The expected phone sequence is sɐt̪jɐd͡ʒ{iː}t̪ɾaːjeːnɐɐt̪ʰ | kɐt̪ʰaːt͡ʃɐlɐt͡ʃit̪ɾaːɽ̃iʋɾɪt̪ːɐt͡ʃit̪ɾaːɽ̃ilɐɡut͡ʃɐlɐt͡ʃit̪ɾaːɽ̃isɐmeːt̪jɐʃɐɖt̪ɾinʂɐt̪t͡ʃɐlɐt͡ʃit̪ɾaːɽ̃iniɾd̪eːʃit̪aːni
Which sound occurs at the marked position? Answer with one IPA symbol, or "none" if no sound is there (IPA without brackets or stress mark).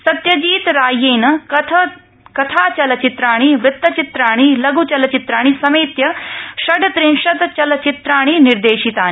iː